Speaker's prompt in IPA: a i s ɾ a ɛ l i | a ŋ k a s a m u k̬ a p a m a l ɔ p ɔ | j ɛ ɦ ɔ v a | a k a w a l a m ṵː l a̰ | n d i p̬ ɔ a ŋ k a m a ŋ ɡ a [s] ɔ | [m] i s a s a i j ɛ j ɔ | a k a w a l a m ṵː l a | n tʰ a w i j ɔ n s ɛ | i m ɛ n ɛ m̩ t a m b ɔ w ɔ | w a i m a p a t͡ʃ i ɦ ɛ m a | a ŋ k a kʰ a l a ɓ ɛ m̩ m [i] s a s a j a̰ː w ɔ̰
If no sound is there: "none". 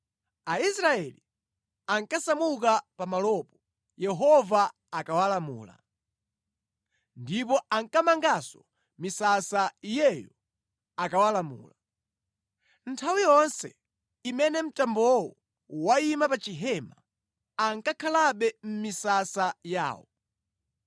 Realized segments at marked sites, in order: s, m, i

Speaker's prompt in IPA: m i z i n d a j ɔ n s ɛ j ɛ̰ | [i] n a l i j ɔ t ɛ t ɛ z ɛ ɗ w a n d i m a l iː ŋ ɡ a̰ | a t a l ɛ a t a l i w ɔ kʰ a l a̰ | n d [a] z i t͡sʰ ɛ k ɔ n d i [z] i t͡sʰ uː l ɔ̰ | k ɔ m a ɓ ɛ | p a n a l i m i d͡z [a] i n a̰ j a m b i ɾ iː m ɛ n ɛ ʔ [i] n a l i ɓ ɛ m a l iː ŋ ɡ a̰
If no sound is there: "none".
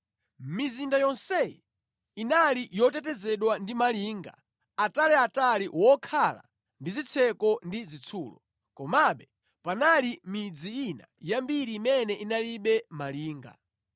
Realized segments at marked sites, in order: i, i, z, i, i

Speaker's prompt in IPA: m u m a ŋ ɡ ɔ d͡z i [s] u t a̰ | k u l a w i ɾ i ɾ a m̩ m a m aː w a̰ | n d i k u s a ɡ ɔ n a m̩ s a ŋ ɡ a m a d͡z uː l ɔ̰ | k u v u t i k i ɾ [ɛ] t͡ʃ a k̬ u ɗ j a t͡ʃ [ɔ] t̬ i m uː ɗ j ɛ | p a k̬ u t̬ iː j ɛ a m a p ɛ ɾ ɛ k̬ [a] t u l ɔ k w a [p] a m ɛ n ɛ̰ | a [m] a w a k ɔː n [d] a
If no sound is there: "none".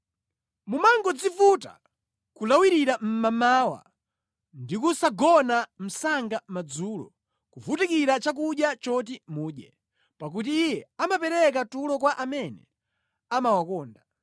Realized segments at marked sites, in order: f, a, ɔ, a, ʔ, m, d

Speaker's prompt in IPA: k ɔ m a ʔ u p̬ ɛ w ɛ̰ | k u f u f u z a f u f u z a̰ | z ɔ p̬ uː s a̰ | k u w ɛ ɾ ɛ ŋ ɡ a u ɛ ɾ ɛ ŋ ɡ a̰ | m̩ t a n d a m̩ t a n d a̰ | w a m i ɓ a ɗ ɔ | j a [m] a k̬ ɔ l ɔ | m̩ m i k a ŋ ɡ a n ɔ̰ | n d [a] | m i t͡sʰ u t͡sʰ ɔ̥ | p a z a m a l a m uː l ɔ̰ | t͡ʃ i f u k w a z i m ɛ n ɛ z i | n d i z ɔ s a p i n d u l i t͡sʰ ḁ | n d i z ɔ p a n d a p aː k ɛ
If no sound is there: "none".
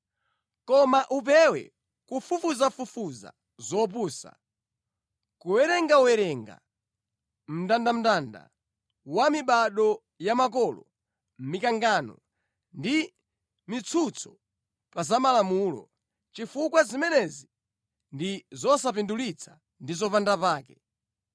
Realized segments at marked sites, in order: m, i

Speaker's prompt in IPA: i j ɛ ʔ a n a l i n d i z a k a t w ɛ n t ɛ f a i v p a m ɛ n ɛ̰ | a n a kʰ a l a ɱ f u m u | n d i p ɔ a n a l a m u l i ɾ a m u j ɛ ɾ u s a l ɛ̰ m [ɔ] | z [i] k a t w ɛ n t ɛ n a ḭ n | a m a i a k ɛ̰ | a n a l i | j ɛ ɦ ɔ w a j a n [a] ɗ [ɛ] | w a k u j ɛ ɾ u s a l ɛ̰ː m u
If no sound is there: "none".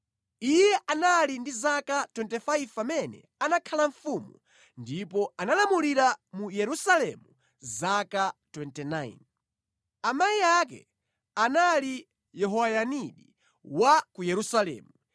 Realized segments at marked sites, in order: u, a, i, i

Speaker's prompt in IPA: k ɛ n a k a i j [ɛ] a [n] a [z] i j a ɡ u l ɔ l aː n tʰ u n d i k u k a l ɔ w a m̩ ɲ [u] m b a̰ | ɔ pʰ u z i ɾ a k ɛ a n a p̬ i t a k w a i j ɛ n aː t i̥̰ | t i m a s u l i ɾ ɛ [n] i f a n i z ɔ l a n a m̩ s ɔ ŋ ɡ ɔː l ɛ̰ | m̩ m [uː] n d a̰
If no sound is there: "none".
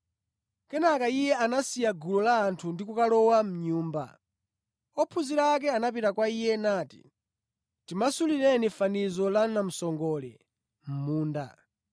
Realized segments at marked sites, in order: ɛ, n, s, uː, n, uː

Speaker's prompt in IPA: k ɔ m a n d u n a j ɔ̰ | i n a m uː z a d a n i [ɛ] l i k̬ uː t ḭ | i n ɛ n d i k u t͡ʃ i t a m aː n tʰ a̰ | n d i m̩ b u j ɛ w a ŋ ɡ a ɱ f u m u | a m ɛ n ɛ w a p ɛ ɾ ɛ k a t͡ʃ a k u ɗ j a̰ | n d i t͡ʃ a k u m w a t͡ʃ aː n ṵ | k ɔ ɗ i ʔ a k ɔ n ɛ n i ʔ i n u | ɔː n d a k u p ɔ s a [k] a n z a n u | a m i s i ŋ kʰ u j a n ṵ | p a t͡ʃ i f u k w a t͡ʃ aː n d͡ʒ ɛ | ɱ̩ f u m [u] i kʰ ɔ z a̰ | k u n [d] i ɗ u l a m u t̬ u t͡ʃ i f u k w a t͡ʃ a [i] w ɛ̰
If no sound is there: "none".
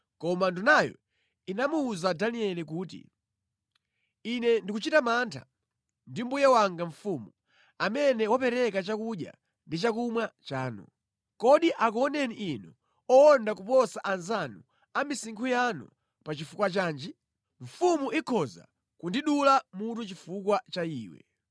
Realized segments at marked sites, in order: ɛ, ʔ, u, d, iː

